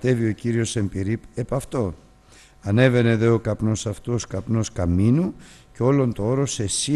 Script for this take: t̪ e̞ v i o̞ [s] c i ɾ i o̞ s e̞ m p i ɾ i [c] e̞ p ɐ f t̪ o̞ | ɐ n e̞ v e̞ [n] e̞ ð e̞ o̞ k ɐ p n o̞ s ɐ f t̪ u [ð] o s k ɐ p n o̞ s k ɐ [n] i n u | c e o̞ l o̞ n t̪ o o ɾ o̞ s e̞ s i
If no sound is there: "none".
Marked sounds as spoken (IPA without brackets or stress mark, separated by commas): none, p, n, none, m